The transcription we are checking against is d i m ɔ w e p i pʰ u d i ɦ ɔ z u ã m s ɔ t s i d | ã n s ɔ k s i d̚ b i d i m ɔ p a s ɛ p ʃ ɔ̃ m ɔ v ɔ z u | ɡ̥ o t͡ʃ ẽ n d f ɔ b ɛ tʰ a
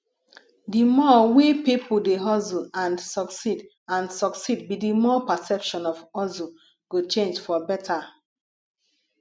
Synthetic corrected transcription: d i m ɔ w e p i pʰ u d e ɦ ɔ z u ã n s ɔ k s i d | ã n s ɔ k s i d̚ b i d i m ɔ p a s ɛ p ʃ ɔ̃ n ɔ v ɔ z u | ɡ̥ o t͡ʃ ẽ n d͡ʒ f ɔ b ɛ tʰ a